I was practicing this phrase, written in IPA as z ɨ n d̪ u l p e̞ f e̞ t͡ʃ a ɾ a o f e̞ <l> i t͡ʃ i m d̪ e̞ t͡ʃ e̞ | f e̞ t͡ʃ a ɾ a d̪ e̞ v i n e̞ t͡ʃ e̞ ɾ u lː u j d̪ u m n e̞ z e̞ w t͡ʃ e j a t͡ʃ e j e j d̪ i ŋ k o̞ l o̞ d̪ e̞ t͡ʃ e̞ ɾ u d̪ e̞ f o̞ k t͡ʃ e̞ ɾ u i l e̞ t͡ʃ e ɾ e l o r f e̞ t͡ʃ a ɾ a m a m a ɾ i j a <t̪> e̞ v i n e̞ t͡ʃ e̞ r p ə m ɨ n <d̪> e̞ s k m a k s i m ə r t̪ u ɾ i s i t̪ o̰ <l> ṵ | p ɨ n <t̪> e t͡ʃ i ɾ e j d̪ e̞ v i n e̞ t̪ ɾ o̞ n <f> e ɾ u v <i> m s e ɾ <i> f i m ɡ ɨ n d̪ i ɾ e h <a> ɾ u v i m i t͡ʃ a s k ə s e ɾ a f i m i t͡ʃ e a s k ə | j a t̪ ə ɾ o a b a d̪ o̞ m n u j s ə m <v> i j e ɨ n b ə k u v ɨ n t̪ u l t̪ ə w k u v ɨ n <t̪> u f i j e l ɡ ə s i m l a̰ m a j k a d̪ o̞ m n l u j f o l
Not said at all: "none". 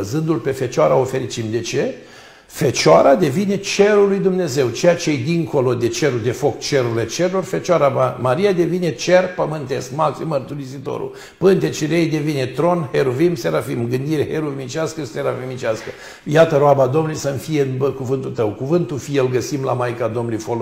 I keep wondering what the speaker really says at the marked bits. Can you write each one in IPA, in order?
ɾ, d̪, t̪, ɾ, t̪, h, i, a, e, f, t̪

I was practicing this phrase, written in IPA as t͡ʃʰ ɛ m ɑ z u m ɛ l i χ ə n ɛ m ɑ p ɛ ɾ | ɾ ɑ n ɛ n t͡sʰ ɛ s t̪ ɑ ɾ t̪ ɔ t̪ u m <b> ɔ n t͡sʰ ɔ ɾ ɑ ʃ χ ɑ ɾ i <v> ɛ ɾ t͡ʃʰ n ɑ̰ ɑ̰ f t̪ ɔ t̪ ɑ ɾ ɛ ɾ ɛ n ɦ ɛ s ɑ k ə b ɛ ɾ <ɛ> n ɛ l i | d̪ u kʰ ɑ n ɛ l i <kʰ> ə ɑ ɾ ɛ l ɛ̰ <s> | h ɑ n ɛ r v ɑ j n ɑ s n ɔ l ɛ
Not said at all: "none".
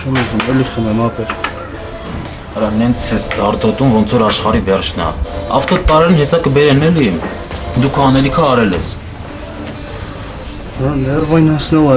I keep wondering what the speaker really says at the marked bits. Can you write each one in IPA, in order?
v, v, ɛ, kʰ, s

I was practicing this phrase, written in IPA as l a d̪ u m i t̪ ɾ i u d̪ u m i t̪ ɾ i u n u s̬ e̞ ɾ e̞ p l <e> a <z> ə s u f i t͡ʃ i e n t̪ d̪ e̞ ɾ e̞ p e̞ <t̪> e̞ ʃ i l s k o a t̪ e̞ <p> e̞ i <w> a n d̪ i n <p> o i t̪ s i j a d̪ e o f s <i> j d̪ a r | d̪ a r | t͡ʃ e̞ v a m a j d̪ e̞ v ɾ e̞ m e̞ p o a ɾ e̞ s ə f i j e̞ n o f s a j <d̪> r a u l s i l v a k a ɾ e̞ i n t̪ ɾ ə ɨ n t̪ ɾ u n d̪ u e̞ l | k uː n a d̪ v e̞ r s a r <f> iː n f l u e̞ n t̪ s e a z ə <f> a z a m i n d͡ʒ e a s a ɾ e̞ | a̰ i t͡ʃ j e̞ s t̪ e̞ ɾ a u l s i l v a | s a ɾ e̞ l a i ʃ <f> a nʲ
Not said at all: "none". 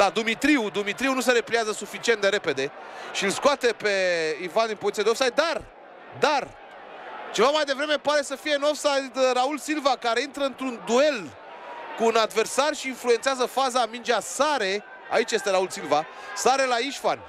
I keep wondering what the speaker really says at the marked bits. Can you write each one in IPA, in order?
i, z, d̪, p, v, p, a, d̪, ʃ, f, f

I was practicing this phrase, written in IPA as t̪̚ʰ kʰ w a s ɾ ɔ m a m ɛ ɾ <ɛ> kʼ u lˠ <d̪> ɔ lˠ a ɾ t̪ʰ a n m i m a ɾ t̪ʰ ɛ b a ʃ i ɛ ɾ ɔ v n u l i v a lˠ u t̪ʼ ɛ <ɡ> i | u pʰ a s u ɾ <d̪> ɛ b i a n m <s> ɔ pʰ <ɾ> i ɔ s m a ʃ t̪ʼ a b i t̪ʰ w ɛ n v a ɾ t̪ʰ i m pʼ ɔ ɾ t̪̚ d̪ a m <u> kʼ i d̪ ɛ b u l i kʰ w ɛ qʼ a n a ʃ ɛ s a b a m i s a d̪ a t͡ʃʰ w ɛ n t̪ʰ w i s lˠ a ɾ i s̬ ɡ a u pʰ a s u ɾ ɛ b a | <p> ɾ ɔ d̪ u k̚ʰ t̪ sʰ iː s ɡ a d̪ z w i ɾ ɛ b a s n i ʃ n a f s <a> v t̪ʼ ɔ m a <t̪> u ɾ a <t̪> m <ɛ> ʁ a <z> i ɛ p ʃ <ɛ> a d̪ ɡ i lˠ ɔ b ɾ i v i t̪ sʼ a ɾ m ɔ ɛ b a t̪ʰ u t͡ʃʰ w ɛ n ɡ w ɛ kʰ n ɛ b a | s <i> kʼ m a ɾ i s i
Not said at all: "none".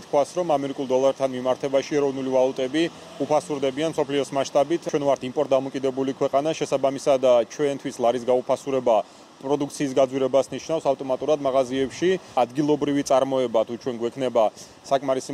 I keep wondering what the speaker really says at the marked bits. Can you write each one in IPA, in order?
i, d̪, b, d̪, s, l, ɔ, pʼ, a, t̪ʼ, d̪, a, z, i, a

